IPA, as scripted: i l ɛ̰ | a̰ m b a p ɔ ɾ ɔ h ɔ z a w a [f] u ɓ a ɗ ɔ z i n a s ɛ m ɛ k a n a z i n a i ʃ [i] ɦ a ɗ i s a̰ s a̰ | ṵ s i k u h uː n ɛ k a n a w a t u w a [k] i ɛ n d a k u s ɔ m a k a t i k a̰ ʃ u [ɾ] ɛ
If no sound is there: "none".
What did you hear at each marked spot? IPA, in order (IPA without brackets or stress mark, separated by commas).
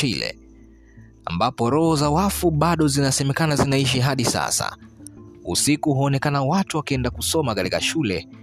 f, i, k, l